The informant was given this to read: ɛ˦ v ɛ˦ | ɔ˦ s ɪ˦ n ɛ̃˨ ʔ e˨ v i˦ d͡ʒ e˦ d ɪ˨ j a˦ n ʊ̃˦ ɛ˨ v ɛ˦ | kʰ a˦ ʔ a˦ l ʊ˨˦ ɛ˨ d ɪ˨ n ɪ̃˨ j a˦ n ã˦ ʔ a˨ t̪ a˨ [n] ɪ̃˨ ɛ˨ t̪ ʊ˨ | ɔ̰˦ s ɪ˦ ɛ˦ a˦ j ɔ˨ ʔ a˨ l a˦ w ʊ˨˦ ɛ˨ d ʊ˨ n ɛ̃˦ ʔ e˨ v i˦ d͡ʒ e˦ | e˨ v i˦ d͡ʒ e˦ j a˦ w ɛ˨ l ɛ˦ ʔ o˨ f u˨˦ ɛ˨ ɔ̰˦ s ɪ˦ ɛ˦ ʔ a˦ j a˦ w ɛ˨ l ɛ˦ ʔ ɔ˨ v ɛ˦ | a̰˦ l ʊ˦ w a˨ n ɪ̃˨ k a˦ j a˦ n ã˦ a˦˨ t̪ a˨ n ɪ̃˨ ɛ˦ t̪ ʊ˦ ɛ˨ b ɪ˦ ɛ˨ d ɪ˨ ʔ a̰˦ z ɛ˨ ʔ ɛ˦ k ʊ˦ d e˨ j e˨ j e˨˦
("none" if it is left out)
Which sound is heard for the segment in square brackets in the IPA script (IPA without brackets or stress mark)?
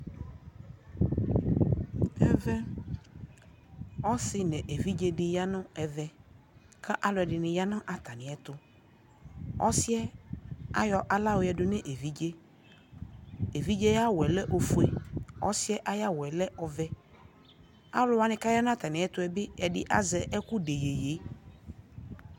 n